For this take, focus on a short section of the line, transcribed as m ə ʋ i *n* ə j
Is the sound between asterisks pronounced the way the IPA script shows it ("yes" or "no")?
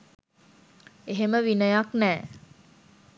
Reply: yes